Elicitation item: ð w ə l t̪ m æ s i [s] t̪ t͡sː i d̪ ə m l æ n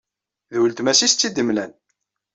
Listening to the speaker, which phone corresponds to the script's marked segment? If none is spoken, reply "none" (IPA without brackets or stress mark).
s